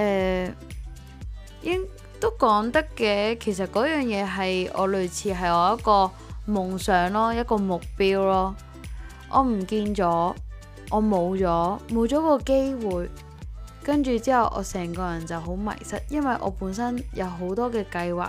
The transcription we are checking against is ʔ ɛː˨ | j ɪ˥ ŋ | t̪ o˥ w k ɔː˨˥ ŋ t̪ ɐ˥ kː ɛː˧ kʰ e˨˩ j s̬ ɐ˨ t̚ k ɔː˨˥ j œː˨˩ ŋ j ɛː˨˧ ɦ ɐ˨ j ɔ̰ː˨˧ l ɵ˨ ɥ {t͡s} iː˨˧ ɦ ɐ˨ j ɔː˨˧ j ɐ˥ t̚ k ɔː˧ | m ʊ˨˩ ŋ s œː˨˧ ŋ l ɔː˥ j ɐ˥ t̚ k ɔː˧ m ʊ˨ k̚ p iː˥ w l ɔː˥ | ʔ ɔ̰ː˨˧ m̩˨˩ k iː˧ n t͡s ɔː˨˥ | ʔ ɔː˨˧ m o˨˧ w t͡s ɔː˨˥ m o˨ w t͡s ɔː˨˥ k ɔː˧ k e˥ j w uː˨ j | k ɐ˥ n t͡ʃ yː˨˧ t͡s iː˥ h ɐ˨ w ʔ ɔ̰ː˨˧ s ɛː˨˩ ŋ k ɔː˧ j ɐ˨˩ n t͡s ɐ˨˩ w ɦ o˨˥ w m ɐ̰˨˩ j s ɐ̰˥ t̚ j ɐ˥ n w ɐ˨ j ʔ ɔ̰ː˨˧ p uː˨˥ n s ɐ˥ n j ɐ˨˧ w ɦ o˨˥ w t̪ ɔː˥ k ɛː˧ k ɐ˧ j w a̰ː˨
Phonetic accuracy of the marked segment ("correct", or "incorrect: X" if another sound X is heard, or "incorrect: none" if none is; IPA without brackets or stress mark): incorrect: t͡sʰ